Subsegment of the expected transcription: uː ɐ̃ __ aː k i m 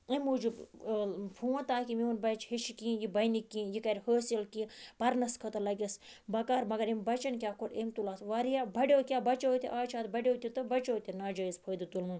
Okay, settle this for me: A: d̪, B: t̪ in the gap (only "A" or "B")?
B